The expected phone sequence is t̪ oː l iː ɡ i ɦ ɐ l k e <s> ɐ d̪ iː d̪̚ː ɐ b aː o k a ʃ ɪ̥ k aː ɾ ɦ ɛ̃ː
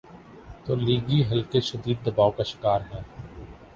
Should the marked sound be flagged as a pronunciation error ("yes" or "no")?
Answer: yes